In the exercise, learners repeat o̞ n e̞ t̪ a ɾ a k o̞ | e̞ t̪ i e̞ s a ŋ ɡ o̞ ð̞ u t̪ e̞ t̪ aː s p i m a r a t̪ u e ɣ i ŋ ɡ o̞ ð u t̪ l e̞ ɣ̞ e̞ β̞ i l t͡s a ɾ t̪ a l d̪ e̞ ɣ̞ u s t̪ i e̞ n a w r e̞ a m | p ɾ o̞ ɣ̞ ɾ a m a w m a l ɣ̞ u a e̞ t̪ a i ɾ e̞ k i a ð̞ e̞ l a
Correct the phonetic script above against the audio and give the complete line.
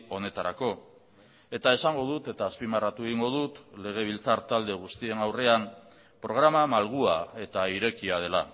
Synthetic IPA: o̞ n e̞ t̪ a ɾ a k o̞ | e̞ t̪ a e̞ s a ŋ ɡ o̞ ð̞ u t̪ e̞ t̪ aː s p i m a r a t̪ u e ɣ i ŋ ɡ o̞ ð u t̪ l e̞ ɣ̞ e̞ β̞ i l t͡s a ɾ t̪ a l d̪ e̞ ɣ̞ u s t̪ i e̞ n a w r e̞ a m | p ɾ o̞ ɣ̞ ɾ a m a m a l ɣ̞ u a e̞ t̪ a i ɾ e̞ k i a ð̞ e̞ l a